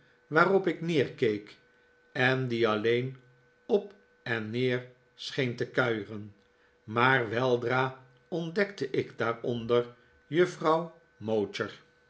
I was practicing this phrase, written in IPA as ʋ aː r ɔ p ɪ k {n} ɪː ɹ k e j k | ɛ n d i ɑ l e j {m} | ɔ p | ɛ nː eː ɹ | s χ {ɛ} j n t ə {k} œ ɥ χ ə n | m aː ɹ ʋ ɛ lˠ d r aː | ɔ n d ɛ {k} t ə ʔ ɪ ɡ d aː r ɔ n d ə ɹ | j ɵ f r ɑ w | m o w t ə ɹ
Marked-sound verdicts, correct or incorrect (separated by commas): correct, incorrect, incorrect, correct, correct